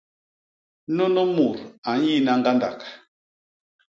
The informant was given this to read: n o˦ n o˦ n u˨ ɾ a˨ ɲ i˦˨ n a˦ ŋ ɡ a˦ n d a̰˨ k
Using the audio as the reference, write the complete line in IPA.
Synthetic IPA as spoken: n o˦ n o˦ m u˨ ɾ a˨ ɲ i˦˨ n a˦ ŋ ɡ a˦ n d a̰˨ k